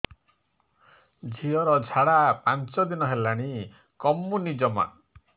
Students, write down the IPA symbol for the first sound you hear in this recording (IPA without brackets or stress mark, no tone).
d͡ʒʱ